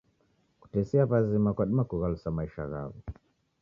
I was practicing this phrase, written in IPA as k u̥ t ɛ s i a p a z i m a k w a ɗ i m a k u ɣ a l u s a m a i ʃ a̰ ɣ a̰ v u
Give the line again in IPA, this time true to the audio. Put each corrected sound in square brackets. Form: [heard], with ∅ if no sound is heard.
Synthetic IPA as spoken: k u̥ t ɛ s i a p a z i m a k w a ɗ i m a k u ɣ a l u s a m a i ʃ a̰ ɣ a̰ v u

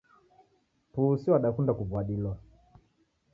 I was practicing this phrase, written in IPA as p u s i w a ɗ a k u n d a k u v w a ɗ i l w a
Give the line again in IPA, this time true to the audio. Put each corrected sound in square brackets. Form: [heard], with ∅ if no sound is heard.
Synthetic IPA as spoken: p u s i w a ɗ a k u n d a k u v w a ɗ i l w a

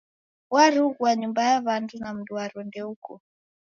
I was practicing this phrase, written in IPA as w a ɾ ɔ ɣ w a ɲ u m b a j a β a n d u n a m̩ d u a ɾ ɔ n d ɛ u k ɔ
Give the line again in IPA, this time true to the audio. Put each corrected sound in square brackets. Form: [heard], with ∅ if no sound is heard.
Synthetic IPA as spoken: w a ɾ [u] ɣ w a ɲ u m b a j a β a n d u n a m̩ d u a ɾ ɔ n d ɛ u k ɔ

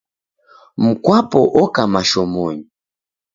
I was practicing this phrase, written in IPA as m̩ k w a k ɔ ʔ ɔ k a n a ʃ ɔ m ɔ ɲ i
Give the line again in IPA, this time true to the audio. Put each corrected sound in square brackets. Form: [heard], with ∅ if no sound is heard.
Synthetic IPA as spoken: m̩ k w a [p] ɔ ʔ ɔ k a [m] a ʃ ɔ m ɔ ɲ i

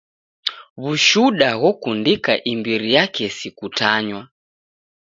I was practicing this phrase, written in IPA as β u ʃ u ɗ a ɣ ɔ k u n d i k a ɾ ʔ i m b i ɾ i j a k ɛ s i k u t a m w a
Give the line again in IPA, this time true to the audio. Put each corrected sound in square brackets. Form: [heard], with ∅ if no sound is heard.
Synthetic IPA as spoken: β u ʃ u ɗ a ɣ ɔ k u n d i k a [∅] ʔ i m b i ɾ i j a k ɛ s i k u t a [ɲ] w a

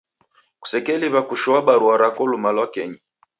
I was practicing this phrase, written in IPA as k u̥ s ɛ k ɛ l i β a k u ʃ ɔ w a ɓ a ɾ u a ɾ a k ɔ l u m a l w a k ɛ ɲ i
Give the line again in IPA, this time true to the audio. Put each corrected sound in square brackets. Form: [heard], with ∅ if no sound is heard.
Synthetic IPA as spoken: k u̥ s ɛ k ɛ l i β a k u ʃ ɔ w a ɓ a ɾ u a ɾ a k ɔ l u m a l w a k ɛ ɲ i

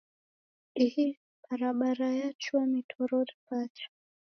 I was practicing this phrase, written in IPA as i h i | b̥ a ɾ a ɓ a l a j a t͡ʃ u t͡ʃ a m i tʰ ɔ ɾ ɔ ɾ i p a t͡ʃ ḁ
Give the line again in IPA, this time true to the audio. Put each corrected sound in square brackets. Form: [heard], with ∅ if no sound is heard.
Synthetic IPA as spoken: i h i | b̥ a ɾ a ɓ a [ɾ] a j a t͡ʃ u [∅] a m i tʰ ɔ ɾ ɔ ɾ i p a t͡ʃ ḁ

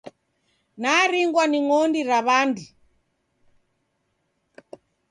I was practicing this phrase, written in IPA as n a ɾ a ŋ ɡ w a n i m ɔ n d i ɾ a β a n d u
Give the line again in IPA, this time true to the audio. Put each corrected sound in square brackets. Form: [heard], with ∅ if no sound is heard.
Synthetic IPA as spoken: n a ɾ [i] ŋ ɡ w a n i [ŋ] ɔ n d i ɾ a β a n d u

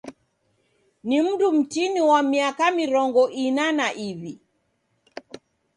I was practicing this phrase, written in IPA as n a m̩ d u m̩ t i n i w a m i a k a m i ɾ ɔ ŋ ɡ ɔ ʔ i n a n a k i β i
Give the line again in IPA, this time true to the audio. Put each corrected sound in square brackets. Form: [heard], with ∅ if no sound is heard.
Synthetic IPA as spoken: n [i] m̩ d u m̩ t i n i w a m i a k a m i ɾ ɔ ŋ ɡ ɔ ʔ i n a n a [ʔ] i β i

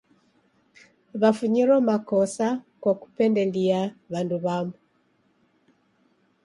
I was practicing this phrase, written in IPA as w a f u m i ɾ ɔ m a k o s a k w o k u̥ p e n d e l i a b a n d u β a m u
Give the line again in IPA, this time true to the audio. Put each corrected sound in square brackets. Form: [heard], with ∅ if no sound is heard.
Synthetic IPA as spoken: [β] a f u [ɲ] i ɾ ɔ m a k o s a k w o k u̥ p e n d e l i a [β] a n d u β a m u

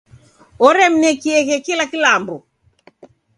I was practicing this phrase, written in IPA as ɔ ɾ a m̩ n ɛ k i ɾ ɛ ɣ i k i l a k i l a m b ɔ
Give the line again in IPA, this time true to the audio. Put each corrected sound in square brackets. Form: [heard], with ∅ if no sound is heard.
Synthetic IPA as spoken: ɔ ɾ [ɛ] m̩ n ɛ k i [∅] ɛ ɣ [ɛ] k i l a k i l a m b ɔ

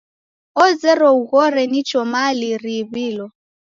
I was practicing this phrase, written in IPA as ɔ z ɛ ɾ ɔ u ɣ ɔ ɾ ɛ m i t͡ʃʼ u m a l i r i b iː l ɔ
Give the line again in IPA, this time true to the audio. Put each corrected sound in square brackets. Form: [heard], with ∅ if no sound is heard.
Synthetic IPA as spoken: ɔ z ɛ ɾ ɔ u ɣ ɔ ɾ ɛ [n] i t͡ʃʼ [ɔ] m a l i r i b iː l ɔ

